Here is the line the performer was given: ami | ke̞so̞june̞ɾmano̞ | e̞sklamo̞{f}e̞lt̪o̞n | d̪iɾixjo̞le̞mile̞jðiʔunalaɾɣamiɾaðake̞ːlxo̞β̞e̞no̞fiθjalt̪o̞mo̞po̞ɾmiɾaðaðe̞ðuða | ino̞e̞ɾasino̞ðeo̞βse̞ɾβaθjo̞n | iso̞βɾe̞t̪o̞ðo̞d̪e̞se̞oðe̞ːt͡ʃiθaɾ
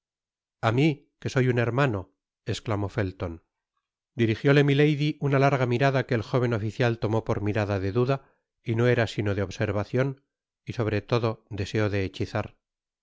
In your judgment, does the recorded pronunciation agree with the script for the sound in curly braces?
yes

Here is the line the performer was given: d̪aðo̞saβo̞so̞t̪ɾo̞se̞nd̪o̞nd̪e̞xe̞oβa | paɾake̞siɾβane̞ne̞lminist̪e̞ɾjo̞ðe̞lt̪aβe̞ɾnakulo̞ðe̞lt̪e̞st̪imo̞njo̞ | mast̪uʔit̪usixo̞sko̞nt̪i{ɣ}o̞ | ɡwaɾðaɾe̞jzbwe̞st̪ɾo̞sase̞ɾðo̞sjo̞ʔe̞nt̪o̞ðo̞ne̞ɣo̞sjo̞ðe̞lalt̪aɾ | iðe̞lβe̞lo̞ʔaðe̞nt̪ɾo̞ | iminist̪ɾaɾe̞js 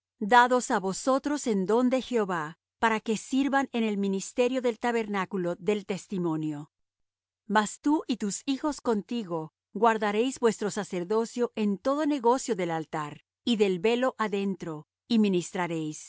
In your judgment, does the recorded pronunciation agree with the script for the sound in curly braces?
yes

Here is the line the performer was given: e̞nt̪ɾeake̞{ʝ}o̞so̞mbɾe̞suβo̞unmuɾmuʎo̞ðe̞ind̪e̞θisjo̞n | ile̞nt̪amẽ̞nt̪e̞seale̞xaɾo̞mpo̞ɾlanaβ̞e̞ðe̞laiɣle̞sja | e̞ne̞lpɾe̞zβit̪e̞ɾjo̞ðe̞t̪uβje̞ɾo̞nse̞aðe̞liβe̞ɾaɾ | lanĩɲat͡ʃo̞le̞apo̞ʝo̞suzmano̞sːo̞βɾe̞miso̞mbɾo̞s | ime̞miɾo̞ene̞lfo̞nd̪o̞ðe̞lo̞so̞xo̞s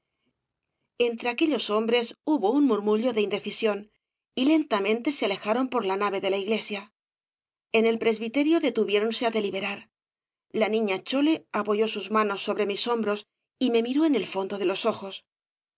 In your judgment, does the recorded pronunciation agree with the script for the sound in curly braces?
no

